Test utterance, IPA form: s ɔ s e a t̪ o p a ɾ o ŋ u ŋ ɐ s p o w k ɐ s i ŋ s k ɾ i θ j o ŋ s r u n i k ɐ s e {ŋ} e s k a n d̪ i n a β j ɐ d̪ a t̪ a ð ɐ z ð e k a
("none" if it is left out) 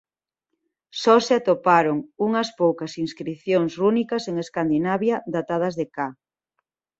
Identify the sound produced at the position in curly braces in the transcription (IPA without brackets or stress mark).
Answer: ŋ